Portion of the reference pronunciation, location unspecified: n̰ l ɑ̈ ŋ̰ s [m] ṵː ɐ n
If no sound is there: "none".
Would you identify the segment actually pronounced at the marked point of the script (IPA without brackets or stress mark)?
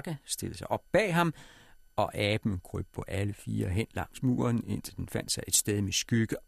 m